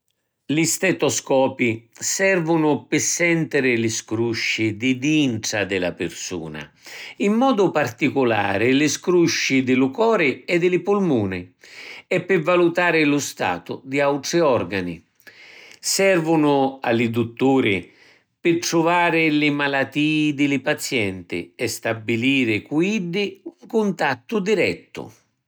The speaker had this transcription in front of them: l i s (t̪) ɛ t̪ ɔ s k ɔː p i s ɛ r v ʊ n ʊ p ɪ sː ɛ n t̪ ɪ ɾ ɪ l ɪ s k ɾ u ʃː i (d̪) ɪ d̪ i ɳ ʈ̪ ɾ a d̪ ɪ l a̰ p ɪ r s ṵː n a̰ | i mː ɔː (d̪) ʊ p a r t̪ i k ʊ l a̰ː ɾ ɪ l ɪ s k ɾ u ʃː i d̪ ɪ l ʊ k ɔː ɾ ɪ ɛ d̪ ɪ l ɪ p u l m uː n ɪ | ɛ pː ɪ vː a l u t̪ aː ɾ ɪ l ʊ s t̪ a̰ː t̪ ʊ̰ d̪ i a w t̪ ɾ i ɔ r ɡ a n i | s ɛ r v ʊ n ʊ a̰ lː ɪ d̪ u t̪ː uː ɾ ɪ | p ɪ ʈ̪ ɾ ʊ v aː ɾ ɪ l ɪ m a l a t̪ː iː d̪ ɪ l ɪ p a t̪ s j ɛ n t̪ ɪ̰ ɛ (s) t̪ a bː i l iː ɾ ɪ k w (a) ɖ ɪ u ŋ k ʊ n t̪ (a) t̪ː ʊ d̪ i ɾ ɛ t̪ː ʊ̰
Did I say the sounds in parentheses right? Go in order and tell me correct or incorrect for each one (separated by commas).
correct, correct, correct, correct, incorrect, correct